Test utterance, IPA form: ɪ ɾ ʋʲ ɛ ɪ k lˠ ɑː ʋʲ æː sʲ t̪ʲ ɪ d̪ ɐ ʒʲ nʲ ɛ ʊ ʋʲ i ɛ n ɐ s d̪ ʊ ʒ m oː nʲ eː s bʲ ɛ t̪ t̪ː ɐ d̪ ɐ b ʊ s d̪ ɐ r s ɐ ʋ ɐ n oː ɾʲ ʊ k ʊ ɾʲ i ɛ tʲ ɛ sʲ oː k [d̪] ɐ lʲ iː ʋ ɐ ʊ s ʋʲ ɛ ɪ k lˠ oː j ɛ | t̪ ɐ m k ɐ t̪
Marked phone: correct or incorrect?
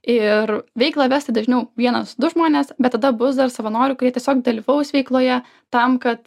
correct